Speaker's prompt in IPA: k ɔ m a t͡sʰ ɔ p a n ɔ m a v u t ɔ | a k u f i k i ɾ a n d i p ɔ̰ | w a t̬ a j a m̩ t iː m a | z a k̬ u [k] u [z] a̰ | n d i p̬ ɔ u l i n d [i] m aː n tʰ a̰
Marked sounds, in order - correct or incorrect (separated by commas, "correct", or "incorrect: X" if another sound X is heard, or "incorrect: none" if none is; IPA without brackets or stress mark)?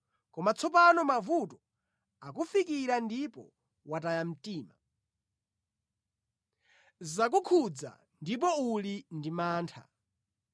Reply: incorrect: kʰ, incorrect: d͡z, correct